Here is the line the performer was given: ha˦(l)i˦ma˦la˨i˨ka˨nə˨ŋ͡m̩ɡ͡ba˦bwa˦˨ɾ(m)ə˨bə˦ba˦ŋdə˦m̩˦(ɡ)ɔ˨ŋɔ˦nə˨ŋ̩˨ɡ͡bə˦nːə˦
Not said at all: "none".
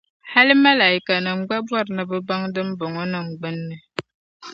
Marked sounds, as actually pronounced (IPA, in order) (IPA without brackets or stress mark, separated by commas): l, n, b